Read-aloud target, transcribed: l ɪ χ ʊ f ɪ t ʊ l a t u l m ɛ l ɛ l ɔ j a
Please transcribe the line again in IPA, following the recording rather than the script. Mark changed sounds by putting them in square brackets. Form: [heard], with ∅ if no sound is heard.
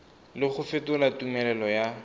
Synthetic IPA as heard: l ɪ χ ʊ f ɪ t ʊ l a t u [∅] m ɛ l ɛ l ɔ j a